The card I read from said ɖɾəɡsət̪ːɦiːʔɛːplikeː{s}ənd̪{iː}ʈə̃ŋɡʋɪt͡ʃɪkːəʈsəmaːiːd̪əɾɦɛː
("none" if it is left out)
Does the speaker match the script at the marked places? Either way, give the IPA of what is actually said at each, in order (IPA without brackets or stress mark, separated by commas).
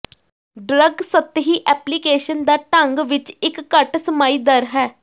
ʃ, aː